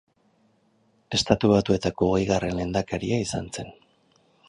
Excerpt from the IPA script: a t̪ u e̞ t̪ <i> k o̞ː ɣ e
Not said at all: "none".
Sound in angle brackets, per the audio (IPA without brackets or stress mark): a